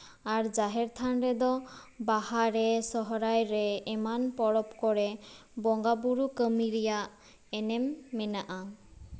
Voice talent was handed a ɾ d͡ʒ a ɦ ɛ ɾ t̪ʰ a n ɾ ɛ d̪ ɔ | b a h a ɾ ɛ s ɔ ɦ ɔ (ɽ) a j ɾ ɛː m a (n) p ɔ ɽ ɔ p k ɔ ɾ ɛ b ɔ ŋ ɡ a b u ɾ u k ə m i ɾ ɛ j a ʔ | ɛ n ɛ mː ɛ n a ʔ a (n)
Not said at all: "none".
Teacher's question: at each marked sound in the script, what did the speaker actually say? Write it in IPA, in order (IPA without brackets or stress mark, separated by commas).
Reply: ɾ, n, none